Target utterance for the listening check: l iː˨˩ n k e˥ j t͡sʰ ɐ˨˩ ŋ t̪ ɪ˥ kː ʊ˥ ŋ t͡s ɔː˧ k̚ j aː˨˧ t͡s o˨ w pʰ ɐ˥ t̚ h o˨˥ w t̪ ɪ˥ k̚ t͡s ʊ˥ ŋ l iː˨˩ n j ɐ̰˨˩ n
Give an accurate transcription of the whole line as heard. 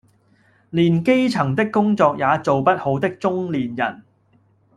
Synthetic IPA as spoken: l iː˨˩ n k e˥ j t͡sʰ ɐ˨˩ ŋ t̪ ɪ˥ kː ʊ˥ ŋ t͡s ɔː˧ k̚ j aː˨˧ t͡s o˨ w p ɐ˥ t̚ h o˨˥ w t̪ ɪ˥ k̚ t͡s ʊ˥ ŋ l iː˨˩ n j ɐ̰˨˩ n